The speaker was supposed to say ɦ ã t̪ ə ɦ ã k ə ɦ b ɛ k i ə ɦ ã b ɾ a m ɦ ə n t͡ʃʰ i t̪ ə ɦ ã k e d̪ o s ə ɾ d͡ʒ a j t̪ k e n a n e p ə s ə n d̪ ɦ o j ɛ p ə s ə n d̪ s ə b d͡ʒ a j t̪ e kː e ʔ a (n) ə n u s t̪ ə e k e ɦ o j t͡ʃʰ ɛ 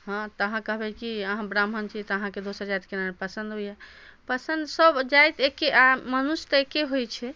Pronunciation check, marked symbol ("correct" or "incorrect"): incorrect